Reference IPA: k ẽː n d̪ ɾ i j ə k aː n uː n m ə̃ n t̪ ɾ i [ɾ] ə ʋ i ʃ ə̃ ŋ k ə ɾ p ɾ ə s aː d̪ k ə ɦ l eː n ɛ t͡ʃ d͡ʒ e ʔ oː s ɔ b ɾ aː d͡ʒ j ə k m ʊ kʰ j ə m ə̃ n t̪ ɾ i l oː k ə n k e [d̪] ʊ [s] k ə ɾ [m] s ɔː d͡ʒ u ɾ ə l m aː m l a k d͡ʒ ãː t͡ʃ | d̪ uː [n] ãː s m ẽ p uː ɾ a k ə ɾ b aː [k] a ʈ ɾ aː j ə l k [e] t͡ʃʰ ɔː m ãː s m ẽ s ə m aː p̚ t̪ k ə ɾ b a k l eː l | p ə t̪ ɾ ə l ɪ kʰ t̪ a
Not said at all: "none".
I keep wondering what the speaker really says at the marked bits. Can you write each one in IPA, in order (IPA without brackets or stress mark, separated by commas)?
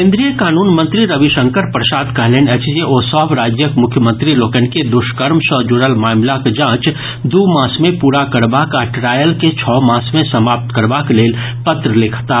ɾ, d̪, ʃ, m, m, k, e